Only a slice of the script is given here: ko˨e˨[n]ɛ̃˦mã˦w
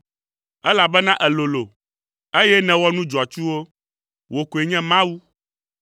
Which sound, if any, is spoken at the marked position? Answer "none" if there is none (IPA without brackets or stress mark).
ɲ